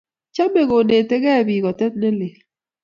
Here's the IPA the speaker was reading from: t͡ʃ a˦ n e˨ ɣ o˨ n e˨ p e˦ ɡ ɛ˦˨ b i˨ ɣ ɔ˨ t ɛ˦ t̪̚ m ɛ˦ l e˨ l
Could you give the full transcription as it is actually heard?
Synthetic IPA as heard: t͡ʃ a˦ m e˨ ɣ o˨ n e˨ t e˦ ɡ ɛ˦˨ b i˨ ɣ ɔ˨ t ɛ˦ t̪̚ n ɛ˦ l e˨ l